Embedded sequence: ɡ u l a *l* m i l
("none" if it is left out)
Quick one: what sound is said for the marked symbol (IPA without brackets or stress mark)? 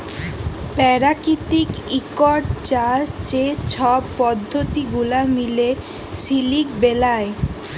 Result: none